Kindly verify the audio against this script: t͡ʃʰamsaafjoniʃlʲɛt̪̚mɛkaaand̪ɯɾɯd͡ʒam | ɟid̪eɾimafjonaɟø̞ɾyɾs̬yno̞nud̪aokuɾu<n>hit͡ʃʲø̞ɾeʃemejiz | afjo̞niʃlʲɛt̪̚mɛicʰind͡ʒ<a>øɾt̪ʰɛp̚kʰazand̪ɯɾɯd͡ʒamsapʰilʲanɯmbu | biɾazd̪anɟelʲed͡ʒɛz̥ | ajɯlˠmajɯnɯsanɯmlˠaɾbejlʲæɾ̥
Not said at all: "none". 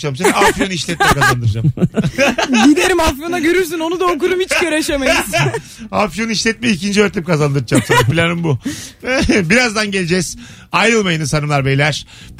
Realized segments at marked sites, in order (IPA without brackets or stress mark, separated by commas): m, i